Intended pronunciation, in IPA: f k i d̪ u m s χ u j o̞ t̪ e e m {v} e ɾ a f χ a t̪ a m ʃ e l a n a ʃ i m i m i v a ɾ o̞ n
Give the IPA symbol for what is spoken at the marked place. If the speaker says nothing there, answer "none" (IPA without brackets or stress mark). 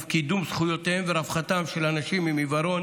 v